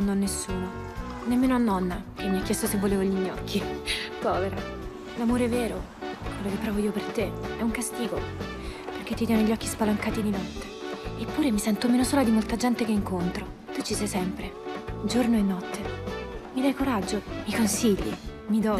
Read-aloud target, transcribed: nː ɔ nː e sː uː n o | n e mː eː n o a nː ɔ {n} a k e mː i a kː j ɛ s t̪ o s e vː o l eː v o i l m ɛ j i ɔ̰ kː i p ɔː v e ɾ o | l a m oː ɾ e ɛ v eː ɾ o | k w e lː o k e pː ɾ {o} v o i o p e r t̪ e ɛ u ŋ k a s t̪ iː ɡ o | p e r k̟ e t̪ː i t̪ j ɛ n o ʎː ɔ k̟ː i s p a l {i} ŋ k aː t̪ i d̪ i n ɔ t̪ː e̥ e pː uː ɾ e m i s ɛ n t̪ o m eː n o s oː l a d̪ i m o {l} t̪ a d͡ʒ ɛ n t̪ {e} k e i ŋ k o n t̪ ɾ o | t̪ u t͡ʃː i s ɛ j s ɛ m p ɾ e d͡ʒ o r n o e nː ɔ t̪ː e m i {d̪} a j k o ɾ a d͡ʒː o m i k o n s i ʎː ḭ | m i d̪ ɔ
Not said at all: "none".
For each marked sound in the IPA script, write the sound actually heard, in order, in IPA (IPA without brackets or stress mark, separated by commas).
nː, ɔ, a, l, e, d̪